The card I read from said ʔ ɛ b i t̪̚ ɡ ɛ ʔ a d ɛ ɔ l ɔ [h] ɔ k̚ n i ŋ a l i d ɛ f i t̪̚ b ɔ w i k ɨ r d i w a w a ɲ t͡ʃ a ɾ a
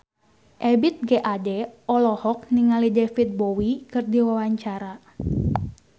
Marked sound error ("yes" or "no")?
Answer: no